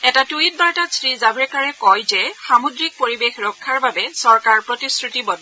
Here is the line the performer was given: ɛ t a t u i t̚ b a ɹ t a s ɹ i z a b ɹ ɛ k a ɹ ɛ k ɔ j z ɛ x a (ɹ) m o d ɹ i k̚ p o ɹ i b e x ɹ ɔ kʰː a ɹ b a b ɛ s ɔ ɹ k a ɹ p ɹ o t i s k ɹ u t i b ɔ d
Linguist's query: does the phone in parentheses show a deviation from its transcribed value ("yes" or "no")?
yes